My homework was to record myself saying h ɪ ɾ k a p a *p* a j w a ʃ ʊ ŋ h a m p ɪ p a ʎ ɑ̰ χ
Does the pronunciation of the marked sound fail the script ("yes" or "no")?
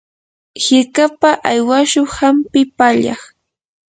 yes